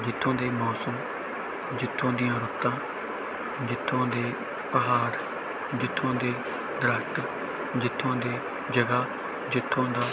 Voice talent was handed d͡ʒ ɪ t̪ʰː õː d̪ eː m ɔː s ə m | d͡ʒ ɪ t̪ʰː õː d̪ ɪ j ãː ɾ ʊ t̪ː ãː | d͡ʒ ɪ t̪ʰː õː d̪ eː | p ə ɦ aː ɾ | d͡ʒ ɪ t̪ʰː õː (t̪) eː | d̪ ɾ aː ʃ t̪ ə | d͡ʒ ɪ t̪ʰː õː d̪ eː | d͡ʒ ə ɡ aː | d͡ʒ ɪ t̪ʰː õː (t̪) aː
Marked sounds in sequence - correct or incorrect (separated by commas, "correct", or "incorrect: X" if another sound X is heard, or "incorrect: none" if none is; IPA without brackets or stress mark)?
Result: incorrect: d̪, incorrect: d̪